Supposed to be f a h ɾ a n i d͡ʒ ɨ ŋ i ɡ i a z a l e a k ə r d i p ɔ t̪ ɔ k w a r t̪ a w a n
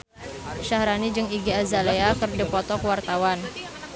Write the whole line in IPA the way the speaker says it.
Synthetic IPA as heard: ʃ a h ɾ a n i d͡ʒ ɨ ŋ i ɡ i a z a l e a k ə r d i p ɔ t̪ ɔ k w a r t̪ a w a n